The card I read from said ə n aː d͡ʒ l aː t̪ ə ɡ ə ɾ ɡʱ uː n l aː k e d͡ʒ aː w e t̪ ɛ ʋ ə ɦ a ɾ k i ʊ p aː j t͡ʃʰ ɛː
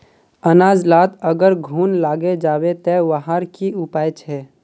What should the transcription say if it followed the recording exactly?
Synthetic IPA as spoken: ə n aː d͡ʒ l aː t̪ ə ɡ ə ɾ ɡʱ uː n l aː ɡ e d͡ʒ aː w e t̪ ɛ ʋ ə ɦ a ɾ k i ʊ p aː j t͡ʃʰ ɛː